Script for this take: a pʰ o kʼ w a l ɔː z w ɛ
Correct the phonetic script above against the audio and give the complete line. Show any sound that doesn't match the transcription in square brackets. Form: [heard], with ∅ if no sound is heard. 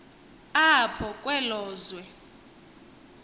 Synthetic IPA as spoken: a pʰ [ɔ] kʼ w [ɛ] l ɔː z w ɛ

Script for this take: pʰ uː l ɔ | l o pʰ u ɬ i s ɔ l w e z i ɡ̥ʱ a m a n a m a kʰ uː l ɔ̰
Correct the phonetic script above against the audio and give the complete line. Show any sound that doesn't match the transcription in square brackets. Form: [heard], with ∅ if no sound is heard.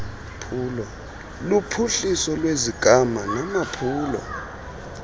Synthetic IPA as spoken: pʰ uː l ɔ | l [u] pʰ u ɬ i s ɔ l w e z i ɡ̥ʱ a m a n a m a [pʰ] uː l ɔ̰

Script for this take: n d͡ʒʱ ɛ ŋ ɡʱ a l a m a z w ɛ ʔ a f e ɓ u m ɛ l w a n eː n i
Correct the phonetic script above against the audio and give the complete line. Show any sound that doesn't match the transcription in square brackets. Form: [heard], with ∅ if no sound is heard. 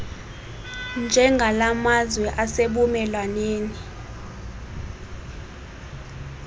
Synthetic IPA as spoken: n d͡ʒʱ ɛ ŋ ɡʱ a l a m a z w ɛ ʔ a [s] e ɓ u m ɛ l w a n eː n i

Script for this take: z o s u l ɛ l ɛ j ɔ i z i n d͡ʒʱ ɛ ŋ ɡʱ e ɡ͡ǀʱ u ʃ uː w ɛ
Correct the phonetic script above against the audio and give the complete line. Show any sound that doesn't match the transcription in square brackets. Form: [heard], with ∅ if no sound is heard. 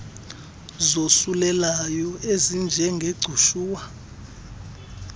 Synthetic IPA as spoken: z o s u l ɛ l [a] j ɔ [e] z i n d͡ʒʱ ɛ ŋ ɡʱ e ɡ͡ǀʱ u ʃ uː w [a]

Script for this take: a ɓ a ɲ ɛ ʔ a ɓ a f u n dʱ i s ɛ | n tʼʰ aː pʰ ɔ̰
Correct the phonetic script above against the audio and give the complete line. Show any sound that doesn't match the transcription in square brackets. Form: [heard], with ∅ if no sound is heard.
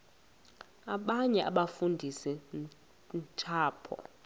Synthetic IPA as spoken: a ɓ a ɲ ɛ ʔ a ɓ a f u n dʱ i s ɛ | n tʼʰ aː pʰ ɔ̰

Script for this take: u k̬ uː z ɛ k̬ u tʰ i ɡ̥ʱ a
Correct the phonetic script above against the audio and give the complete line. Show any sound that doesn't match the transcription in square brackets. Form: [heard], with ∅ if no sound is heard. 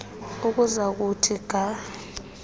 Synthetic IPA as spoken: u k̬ [u] z [a] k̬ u tʰ i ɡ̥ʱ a

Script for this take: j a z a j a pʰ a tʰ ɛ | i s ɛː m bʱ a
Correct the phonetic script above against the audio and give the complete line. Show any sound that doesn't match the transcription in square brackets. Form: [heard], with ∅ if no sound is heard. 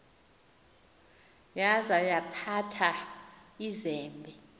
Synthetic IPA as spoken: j a z a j a pʰ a tʰ [a] | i [z] ɛː m bʱ [ɛ]

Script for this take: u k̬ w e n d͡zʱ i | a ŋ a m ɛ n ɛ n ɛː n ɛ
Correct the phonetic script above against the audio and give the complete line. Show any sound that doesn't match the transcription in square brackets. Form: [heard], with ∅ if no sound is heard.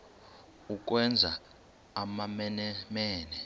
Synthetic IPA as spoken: u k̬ w [ɛ] n d͡zʱ [a] | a [m] a m ɛ n ɛ [m] ɛː n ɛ

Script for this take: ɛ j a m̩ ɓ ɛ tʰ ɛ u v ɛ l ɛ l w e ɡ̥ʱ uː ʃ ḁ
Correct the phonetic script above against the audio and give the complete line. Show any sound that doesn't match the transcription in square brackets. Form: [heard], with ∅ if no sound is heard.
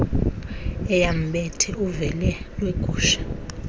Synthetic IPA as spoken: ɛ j a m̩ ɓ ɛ tʰ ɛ u v ɛ l ɛ l w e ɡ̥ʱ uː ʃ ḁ

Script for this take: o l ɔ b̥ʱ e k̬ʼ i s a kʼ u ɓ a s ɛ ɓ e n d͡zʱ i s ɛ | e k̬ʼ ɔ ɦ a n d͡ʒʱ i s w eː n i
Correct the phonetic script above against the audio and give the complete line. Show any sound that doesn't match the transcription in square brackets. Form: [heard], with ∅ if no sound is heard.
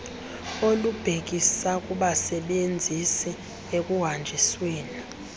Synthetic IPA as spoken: o l [u] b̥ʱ e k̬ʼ i s a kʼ u ɓ a s ɛ ɓ e n d͡zʱ i s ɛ | e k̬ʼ [u] ɦ a n d͡ʒʱ i s w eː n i

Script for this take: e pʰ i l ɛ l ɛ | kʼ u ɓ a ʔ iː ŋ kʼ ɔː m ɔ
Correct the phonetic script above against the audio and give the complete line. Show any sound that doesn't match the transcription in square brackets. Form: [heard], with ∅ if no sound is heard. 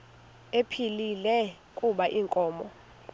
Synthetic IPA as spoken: e pʰ i l [i] l ɛ | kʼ u ɓ a ʔ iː ŋ kʼ ɔː m ɔ

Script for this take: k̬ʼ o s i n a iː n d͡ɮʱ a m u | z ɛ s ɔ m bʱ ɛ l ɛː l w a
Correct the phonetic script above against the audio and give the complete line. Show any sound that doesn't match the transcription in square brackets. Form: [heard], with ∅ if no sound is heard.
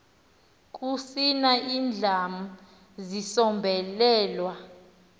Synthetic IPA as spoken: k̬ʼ [u] s i n a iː n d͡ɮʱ a m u | z [i] s ɔ m bʱ ɛ l ɛː l w a

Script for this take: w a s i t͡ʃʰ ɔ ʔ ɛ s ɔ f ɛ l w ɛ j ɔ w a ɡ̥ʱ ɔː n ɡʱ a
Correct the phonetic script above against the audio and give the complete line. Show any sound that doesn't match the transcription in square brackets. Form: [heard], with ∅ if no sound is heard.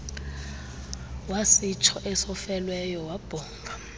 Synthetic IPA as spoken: w a s i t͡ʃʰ ɔ ʔ ɛ s ɔ f ɛ l w ɛ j ɔ w a [b̥ʱ] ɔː [ŋ] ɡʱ a

